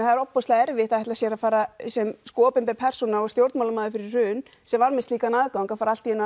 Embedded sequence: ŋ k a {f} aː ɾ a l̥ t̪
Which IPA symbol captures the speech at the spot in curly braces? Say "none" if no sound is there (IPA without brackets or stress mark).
f